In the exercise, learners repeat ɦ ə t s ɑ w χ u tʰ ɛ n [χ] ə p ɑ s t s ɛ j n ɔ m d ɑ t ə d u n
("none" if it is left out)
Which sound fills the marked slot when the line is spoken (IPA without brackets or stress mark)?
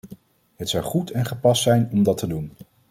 χ